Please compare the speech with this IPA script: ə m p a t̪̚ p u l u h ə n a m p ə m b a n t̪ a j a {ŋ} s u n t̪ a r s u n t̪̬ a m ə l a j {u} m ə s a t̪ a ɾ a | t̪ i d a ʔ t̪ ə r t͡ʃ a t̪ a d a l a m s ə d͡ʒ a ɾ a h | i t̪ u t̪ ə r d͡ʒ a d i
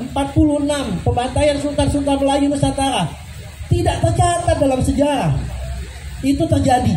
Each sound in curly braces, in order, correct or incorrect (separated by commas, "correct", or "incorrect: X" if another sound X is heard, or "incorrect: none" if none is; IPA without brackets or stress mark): incorrect: n, correct